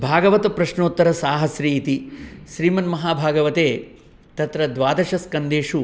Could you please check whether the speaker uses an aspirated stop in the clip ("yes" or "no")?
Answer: no